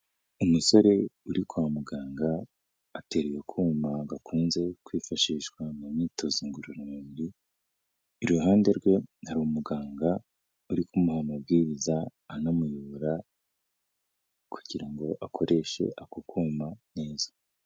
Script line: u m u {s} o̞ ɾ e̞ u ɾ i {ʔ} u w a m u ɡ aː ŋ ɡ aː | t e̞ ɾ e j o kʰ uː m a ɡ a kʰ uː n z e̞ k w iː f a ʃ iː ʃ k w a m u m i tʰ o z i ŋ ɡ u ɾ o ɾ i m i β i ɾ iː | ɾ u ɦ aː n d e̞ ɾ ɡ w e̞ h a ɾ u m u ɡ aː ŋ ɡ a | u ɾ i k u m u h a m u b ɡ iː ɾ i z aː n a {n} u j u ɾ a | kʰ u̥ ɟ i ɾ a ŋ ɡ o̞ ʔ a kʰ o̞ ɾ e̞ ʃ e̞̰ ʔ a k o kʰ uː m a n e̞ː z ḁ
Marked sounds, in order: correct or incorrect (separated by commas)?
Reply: correct, incorrect, incorrect